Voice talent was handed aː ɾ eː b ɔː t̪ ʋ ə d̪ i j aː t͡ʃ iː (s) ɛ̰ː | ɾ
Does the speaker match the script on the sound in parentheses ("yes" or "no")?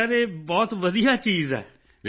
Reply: no